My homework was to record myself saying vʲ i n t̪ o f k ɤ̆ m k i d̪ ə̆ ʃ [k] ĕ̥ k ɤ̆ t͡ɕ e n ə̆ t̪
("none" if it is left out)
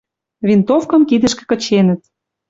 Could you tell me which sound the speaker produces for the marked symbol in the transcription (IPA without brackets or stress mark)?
k